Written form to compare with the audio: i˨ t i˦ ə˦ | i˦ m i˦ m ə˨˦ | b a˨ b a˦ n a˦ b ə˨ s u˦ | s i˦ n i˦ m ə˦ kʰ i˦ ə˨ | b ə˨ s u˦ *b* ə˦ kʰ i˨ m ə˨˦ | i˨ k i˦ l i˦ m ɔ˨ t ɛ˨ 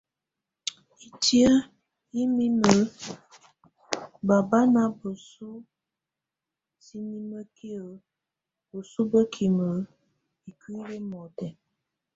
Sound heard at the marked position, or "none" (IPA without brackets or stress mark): b